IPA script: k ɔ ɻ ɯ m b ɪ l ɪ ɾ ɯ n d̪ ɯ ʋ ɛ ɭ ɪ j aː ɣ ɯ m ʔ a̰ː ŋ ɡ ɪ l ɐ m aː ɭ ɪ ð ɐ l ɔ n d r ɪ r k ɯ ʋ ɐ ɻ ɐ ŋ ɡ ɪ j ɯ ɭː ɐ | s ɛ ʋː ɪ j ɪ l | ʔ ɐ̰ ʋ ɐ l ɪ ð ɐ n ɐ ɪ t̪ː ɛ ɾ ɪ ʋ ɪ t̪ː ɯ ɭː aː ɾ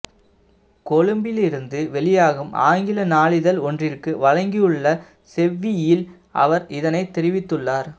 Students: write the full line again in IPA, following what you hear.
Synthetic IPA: k ɔ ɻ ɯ m b ɪ l ɪ ɾ ɯ n d̪ ɯ ʋ ɛ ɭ ɪ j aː ɣ ɯ m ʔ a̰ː ŋ ɡ ɪ l ɐ n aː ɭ ɪ ð ɐ l ɔ n d r ɪ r k ɯ ʋ ɐ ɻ ɐ ŋ ɡ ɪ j ɯ ɭː ɐ | s ɛ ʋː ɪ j ɪ l | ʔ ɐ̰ ʋ ɐ ɾ ɪ ð ɐ n ɐ ɪ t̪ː ɛ ɾ ɪ ʋ ɪ t̪ː ɯ ɭː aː ɾ